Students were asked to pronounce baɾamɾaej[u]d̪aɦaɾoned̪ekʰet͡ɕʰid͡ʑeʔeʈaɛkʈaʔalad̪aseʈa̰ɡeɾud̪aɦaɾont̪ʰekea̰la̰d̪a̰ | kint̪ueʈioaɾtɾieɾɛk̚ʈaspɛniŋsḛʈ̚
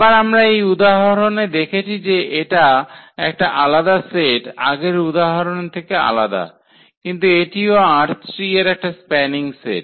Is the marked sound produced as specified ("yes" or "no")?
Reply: yes